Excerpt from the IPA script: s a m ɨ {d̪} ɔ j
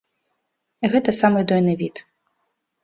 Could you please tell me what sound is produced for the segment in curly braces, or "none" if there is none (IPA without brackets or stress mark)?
d̪